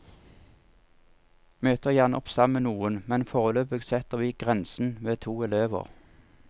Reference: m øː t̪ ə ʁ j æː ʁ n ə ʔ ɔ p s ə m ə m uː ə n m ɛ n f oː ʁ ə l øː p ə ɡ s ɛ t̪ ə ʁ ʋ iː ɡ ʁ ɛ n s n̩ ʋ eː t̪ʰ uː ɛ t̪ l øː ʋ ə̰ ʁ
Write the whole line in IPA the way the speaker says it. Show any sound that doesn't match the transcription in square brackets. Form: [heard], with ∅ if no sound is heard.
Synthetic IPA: m øː t̪ ə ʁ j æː ʁ n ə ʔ ɔ p s [ɑ] m ə [n] uː ə n m ɛ n f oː ʁ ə l øː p ə ɡ s ɛ t̪ ə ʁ ʋ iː ɡ ʁ ɛ n s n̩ ʋ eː t̪ʰ uː ɛ [∅] l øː ʋ ə̰ ʁ